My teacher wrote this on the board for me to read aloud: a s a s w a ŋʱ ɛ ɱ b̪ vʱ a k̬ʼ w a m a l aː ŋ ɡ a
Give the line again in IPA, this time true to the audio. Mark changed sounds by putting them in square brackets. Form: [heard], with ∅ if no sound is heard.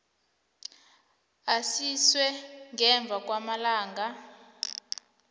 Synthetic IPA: a s [i] s w [ɛ] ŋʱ ɛ ɱ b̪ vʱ a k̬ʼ w a m a l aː ŋ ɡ a